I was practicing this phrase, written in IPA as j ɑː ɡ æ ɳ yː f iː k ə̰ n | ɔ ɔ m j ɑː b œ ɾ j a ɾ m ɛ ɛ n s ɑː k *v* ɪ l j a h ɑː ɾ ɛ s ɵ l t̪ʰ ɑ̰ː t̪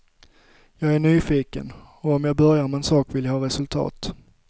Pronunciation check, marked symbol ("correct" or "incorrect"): correct